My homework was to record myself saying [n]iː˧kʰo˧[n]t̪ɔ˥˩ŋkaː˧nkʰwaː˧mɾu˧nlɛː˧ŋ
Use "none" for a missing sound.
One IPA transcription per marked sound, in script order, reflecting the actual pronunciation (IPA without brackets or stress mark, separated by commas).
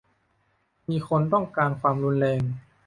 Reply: m, n